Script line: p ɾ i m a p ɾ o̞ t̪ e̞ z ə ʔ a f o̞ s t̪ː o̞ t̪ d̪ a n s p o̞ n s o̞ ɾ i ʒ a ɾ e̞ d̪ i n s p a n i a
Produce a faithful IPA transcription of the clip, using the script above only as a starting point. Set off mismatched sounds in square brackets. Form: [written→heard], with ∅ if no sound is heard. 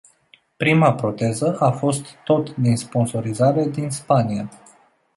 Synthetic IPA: p ɾ i m a p ɾ o̞ t̪ e̞ z ə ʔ a f o̞ s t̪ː o̞ t̪ d̪ [a→i] n s p o̞ n s o̞ ɾ i [ʒ→z] a ɾ e̞ d̪ i n s p a n i a